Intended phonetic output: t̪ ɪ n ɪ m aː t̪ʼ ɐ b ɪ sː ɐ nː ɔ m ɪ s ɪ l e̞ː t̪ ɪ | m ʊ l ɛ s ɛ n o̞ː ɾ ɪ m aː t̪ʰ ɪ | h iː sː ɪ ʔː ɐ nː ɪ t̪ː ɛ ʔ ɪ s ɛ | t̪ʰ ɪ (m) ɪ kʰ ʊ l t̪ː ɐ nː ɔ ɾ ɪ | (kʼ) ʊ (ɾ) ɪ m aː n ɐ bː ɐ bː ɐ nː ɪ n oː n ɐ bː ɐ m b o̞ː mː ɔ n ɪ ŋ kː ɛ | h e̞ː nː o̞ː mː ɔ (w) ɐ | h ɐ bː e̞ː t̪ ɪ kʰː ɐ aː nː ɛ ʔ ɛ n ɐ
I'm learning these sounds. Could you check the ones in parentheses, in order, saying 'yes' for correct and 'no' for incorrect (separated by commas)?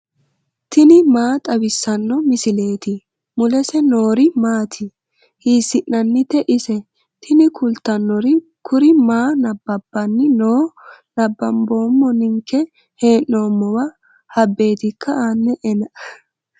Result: no, no, yes, yes